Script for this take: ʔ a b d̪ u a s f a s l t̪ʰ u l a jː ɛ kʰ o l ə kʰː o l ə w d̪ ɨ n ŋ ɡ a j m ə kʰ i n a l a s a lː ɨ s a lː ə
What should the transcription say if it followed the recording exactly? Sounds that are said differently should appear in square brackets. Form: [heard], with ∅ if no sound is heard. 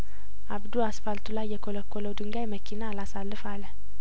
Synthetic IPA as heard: ʔ a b d̪ u a s f a [∅] l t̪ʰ u l a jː ɛ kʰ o l ə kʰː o l ə w d̪ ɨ [∅] ŋ ɡ a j m ə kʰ i n a l a s a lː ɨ [f] a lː ə